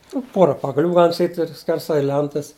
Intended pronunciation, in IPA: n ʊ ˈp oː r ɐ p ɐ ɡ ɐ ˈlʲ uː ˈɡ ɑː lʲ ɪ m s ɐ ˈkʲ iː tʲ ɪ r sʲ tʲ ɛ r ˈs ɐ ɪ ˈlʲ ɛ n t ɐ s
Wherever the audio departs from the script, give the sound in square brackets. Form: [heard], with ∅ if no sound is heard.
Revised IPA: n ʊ ˈp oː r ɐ p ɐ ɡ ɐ ˈlʲ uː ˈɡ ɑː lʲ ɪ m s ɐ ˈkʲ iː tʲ ɪ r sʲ [kʲ] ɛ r ˈs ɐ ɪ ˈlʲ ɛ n t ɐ s